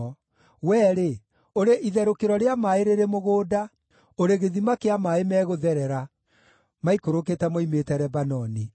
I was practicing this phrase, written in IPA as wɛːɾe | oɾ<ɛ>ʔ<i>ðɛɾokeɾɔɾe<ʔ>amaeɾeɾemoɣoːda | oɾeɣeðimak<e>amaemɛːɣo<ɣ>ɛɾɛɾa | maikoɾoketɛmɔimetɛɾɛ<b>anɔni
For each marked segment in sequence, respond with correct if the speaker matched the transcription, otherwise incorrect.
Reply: incorrect: e, correct, incorrect: none, correct, incorrect: ð, correct

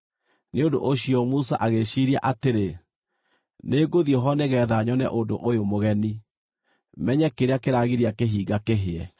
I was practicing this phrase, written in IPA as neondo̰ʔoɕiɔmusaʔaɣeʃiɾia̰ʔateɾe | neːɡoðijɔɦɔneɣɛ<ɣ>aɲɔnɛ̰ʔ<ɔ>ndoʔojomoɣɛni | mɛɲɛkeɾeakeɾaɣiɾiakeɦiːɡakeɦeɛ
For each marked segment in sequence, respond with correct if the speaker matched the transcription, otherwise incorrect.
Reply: incorrect: ð, incorrect: o

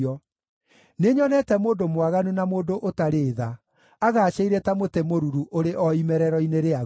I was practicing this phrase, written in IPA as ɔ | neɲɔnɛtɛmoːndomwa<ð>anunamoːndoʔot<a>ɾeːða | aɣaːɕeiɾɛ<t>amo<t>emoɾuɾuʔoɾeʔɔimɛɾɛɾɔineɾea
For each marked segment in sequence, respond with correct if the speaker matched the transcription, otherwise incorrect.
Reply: incorrect: ɣ, correct, correct, correct

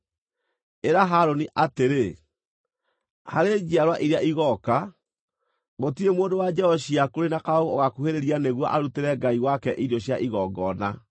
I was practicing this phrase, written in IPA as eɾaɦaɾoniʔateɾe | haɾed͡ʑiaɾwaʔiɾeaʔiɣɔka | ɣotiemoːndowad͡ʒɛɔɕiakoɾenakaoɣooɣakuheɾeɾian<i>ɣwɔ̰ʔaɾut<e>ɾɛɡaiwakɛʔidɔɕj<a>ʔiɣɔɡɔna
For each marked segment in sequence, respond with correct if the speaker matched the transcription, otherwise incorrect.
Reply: incorrect: e, correct, correct

